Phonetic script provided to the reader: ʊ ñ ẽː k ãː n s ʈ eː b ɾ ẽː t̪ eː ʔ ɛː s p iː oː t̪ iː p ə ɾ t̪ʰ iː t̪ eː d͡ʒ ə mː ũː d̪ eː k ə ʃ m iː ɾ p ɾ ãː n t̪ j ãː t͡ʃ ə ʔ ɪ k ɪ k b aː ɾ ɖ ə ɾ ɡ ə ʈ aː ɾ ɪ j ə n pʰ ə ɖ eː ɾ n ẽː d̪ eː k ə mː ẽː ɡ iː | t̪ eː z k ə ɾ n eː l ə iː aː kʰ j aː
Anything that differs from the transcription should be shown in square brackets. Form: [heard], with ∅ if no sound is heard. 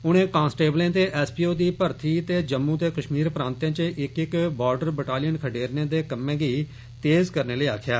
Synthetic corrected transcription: ʊ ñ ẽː k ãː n s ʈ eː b [l] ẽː t̪ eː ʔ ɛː s p iː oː [d̪] iː p ə ɾ t̪ʰ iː t̪ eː d͡ʒ ə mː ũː [t̪] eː k ə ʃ m iː ɾ p ɾ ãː n t̪ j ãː t͡ʃ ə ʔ ɪ k ɪ k b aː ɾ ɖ ə ɾ [b] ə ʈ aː [l] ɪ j ə n [kʰ] ə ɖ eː ɾ n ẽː d̪ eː k ə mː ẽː ɡ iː | t̪ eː z k ə ɾ n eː l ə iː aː kʰ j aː